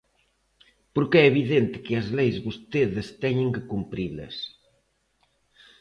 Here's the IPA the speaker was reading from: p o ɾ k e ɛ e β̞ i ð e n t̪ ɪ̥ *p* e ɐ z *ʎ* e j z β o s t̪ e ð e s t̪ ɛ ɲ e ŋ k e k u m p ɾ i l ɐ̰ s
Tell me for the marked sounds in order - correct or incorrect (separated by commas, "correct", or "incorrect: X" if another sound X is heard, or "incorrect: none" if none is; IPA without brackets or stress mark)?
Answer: incorrect: k, incorrect: l